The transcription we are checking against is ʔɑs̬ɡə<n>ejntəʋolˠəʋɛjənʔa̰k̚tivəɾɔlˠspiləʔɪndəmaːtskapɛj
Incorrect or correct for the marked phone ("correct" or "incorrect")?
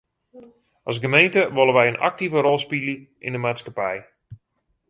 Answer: incorrect